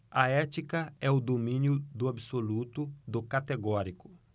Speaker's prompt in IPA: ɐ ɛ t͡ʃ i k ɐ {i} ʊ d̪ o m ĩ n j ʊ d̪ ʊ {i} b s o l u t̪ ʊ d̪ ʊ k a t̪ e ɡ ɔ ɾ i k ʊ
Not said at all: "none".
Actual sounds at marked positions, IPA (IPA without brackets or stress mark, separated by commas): ɛ, a